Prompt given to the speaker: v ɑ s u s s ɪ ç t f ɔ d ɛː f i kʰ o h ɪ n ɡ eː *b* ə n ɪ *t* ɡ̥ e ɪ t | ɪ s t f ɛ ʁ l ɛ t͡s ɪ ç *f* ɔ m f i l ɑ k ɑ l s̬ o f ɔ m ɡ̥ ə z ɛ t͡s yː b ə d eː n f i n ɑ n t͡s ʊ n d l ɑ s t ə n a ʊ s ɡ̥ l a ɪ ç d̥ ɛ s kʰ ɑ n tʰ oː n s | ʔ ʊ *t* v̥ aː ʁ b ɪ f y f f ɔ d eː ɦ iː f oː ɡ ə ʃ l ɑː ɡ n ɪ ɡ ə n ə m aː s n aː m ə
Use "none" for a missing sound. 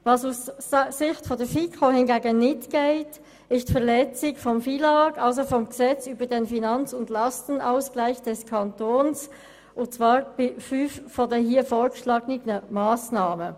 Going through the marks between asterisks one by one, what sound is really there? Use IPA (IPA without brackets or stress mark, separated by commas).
ɡ, t, f, t͡s